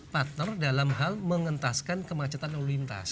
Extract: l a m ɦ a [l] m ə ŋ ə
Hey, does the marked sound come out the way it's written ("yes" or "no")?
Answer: yes